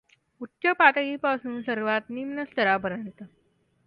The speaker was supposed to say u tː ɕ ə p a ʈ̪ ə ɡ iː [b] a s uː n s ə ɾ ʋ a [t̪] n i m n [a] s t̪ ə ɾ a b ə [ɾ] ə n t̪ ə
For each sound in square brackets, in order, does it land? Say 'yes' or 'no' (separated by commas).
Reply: no, yes, no, yes